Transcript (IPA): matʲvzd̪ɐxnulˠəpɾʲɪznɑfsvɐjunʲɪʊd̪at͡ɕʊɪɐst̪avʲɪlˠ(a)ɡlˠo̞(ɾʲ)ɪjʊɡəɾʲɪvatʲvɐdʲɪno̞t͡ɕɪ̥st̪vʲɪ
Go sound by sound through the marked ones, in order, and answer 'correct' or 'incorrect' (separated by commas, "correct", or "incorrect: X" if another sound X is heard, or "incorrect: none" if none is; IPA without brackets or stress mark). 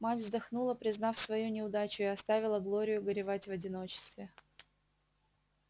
incorrect: ə, correct